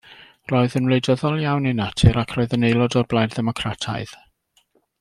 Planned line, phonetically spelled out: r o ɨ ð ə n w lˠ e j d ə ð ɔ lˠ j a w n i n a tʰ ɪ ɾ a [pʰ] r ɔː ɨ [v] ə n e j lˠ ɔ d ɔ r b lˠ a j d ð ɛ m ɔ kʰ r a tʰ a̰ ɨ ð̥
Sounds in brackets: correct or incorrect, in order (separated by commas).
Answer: incorrect, incorrect